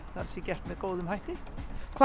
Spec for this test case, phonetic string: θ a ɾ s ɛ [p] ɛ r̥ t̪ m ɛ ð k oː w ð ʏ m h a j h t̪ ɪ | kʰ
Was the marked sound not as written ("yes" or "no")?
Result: yes